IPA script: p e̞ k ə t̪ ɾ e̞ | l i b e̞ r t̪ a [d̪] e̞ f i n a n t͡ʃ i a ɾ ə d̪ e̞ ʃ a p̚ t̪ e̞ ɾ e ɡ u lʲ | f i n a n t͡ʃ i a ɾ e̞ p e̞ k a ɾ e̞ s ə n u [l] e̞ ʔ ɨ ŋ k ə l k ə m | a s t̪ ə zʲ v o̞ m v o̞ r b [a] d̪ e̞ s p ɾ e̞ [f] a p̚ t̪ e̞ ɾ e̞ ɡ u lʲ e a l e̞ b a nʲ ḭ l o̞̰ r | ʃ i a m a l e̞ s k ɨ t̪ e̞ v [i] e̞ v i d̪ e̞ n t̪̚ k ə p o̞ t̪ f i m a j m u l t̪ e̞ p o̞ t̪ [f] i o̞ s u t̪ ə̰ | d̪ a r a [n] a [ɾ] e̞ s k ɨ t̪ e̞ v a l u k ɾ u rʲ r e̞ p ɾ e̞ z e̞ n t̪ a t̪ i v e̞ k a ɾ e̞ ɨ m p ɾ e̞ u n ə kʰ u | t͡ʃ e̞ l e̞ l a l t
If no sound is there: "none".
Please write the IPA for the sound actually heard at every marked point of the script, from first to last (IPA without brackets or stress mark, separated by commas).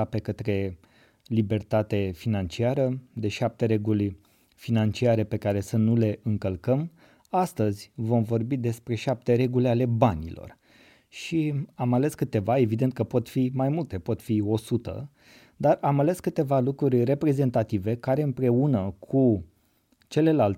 t̪, l, i, ʃ, a, f, m, l